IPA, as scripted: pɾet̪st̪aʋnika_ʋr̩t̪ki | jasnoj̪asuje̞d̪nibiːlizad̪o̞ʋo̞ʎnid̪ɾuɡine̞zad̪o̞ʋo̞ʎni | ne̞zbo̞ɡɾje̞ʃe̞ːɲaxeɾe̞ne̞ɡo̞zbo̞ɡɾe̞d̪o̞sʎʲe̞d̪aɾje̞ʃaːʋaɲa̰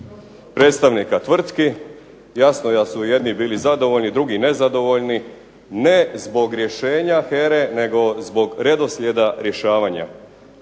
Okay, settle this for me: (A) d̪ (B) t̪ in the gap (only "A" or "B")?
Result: B